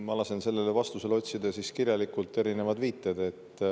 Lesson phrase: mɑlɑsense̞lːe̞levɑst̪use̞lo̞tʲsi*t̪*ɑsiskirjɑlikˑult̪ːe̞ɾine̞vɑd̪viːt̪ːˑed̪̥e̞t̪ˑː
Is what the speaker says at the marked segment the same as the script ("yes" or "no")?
no